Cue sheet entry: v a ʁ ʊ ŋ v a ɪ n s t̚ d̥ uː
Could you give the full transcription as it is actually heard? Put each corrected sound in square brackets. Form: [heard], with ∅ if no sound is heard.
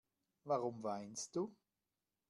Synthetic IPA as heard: v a ʁ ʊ [m] v a ɪ n s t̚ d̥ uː